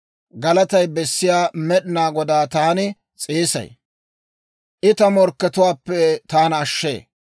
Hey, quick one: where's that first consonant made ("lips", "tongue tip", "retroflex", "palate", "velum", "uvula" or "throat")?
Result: velum